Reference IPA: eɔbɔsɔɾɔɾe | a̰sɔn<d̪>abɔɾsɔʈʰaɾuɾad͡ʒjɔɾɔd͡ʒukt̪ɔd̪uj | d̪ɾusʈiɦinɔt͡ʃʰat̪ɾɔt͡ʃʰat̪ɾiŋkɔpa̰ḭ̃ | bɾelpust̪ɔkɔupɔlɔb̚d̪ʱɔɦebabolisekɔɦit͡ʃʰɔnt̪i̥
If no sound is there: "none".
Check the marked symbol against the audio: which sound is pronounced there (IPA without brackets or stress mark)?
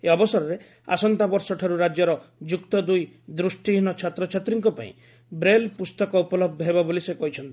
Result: t̪